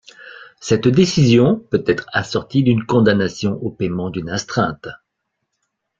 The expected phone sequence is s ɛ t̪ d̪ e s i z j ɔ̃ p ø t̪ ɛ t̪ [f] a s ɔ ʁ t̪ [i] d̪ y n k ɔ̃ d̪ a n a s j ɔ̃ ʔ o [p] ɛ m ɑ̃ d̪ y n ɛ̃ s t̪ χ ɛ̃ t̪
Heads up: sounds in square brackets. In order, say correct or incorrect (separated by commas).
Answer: incorrect, correct, correct